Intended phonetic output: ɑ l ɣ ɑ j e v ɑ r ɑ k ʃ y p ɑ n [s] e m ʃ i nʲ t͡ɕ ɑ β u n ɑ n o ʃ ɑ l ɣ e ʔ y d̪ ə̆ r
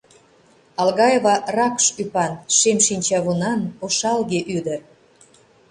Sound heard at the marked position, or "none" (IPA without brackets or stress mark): ʃ